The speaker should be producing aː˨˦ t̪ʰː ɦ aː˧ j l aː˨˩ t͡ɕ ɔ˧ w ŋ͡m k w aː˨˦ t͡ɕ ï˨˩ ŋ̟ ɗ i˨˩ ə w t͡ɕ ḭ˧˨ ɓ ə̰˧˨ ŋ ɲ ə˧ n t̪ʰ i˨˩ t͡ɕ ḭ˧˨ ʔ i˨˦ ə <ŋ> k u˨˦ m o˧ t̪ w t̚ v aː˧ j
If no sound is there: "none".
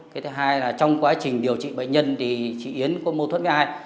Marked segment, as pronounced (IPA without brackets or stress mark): n